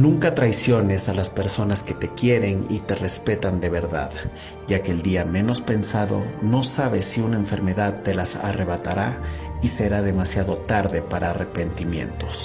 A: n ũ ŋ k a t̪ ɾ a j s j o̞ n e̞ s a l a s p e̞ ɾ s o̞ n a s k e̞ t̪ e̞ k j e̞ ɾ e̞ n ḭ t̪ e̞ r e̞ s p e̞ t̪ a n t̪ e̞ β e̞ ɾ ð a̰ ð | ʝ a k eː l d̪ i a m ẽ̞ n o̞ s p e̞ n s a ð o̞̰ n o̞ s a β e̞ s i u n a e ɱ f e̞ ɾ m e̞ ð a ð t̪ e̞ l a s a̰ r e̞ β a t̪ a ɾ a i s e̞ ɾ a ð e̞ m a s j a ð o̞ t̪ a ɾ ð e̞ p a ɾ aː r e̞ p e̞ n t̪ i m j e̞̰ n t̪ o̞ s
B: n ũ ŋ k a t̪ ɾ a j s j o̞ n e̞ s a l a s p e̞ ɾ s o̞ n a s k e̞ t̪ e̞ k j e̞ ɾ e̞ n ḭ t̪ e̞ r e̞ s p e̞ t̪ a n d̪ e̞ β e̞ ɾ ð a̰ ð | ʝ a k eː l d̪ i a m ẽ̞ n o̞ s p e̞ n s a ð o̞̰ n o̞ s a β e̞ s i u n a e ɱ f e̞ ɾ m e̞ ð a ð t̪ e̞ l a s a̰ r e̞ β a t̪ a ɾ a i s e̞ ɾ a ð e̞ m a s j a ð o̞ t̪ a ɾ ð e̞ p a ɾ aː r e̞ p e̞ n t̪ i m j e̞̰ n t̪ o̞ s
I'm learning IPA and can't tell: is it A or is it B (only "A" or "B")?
B